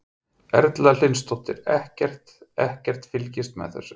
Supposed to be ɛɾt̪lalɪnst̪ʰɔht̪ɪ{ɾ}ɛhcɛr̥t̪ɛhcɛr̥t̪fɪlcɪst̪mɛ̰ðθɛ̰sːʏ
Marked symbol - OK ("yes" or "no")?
yes